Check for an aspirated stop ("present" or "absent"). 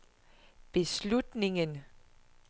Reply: absent